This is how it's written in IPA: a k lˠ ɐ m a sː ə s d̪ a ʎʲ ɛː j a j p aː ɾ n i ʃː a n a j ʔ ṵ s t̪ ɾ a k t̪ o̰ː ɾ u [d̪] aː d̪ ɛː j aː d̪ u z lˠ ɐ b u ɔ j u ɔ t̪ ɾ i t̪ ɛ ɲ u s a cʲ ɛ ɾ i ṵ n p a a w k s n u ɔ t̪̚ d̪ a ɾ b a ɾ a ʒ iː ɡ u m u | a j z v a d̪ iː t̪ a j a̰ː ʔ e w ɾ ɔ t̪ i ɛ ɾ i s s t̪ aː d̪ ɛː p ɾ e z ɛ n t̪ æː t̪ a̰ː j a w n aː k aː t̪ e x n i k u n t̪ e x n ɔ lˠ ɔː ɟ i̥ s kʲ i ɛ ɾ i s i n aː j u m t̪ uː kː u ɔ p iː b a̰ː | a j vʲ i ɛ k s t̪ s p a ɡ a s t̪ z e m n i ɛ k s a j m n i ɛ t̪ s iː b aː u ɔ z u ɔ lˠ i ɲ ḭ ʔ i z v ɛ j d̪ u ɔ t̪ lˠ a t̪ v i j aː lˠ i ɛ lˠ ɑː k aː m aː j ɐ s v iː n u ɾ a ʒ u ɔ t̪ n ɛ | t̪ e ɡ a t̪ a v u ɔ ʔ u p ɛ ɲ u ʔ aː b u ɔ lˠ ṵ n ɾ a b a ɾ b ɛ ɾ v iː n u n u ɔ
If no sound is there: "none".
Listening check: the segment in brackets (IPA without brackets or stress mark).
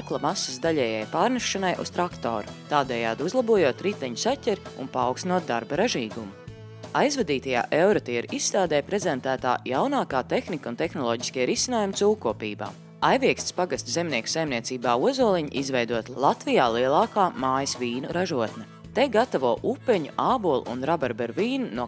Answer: t̪